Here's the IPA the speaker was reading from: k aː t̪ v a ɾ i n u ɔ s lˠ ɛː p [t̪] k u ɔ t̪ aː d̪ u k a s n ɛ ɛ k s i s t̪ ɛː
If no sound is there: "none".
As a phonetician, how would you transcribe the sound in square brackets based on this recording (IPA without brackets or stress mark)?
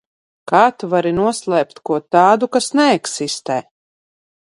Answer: t̪